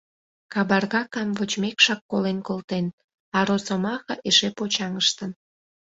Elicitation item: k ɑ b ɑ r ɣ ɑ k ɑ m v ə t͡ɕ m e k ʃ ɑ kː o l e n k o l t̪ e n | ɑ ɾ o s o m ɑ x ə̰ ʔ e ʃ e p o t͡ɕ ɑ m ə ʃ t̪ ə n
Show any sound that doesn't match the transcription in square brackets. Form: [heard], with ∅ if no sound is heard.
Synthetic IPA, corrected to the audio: k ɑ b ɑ r ɣ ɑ k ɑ m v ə t͡ɕ m e k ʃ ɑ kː o l e n k o l t̪ e n | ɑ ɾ o s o m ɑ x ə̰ ʔ e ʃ e p o t͡ɕ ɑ [ŋ] ə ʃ t̪ ə n